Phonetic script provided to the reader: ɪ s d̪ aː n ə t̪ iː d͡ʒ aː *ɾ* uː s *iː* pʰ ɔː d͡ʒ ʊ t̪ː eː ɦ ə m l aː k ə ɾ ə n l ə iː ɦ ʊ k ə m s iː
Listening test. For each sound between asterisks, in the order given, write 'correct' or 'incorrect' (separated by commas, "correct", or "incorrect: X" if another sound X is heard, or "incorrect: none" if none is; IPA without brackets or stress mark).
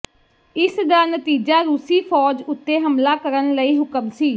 correct, correct